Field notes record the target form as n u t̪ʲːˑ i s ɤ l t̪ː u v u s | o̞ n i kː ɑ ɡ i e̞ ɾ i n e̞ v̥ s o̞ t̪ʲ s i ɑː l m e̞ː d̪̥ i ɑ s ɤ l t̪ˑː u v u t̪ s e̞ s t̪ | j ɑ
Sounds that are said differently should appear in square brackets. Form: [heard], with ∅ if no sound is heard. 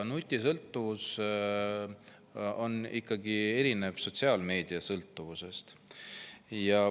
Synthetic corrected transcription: n u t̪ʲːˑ i s ɤ l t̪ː u v u s | o̞ n i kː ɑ ɡ i e̞ ɾ i n e̞ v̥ s o̞ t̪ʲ s i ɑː l m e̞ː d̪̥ i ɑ s ɤ l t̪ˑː u v u [∅] s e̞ s t̪ | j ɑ